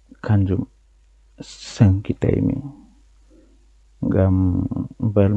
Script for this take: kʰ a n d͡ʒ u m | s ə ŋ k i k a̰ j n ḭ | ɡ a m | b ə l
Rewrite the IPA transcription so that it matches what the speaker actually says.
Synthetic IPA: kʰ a n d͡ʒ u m | s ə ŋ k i t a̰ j m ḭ | ɡ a m | b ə l